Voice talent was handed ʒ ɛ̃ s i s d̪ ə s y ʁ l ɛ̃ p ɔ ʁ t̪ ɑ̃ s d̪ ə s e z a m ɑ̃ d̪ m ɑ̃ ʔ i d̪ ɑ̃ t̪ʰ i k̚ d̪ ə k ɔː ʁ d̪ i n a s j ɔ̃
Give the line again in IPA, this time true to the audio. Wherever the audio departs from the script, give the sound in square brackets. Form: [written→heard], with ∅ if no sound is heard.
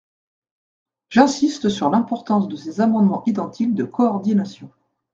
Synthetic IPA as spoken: ʒ ɛ̃ s i s [d̪→t̪] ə s y ʁ l ɛ̃ p ɔ ʁ t̪ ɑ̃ s d̪ ə s e z a m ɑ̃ d̪ m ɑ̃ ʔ i d̪ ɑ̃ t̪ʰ i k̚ d̪ ə k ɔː ʁ d̪ i n a s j ɔ̃